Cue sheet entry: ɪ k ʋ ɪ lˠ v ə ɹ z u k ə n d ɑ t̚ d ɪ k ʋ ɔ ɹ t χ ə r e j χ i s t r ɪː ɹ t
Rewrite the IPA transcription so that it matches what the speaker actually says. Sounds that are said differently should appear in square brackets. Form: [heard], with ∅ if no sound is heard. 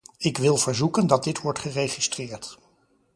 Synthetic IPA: ɪ k ʋ ɪ lˠ v ə ɹ z u k ə n d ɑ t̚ d ɪ [t] ʋ ɔ ɹ t χ ə r e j χ i s t r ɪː ɹ t